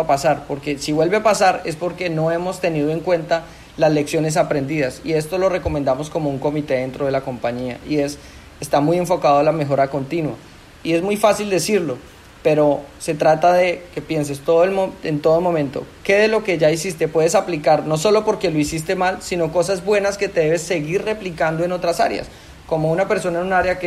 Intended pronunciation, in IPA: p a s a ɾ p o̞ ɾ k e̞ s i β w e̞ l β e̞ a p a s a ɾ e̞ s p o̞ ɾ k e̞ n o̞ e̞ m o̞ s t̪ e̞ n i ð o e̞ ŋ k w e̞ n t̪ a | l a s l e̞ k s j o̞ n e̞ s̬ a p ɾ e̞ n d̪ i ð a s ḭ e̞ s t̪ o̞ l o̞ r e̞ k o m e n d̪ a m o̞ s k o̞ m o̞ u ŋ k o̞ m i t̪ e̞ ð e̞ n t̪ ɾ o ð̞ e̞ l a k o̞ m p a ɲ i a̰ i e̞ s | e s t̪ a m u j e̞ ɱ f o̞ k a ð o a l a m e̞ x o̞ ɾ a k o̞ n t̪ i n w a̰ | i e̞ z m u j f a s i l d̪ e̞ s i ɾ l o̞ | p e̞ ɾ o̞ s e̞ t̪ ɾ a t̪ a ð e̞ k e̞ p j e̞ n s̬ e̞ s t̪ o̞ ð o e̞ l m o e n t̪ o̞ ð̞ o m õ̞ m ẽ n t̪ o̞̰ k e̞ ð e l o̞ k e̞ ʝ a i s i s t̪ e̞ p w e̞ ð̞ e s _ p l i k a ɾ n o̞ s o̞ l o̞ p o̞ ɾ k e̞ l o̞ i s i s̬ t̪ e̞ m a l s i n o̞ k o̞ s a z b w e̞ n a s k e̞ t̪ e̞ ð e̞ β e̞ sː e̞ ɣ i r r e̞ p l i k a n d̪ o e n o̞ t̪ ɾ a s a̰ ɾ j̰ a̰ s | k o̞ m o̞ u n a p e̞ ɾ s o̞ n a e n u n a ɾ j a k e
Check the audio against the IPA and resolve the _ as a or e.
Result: a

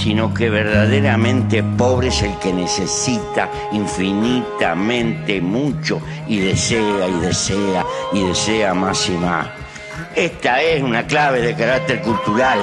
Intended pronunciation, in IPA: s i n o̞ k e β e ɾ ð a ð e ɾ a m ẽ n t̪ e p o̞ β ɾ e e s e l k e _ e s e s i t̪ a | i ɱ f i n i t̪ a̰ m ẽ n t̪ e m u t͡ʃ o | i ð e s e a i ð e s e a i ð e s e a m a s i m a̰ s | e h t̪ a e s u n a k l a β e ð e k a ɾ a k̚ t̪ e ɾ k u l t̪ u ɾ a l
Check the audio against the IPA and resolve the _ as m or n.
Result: n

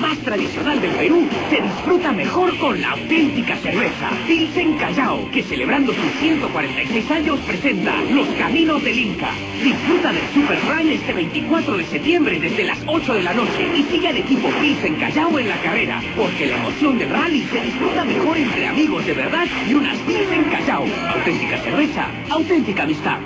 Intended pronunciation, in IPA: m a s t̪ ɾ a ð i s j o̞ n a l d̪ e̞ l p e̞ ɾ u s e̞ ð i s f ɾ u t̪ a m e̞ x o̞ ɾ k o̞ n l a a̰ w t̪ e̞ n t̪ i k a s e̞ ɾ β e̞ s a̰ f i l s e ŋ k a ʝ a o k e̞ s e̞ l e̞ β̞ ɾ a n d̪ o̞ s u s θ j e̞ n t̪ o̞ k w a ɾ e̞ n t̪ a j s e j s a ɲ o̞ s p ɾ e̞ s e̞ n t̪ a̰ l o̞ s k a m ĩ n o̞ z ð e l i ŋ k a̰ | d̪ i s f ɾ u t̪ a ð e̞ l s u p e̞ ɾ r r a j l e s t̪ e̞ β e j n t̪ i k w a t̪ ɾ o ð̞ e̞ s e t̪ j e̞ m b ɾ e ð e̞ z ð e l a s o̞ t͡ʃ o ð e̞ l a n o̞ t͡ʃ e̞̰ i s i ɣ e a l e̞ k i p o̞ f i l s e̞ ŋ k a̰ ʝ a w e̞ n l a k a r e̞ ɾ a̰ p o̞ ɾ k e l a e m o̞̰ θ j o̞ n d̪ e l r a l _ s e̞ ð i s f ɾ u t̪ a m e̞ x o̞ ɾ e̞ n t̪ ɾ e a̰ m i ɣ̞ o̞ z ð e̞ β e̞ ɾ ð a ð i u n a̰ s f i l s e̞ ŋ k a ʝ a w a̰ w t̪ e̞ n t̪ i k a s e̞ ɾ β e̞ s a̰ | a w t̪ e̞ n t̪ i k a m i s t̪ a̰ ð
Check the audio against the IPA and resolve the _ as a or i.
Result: i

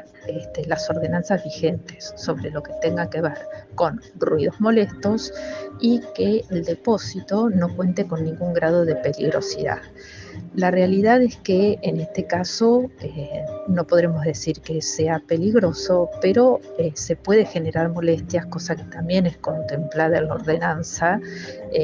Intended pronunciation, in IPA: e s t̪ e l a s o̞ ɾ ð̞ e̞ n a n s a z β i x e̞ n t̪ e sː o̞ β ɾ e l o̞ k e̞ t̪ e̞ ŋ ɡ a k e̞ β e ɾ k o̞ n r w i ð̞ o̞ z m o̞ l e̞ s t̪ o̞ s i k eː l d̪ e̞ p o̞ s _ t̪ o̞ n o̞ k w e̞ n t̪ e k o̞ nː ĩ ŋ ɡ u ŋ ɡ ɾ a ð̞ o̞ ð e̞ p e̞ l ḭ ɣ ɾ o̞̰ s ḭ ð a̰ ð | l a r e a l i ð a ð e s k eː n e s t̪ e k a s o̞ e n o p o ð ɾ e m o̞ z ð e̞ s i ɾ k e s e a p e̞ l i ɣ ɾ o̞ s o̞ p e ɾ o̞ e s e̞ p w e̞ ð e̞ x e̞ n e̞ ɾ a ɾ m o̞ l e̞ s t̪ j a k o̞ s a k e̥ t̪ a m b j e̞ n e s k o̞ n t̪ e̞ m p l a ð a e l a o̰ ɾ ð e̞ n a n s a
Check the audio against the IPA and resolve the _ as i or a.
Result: i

